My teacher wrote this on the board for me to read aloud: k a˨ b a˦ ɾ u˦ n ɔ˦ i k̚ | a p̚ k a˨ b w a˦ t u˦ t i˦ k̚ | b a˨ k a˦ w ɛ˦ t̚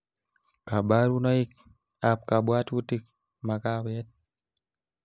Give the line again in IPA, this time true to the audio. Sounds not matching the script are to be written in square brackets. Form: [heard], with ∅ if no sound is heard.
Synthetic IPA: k a˨ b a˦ ɾ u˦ n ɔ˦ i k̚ | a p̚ k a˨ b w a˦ t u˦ t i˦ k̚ | [m] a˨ k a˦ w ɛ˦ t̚